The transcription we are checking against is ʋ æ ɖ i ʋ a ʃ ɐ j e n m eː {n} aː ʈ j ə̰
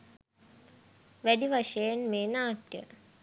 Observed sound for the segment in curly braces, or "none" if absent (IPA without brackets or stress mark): n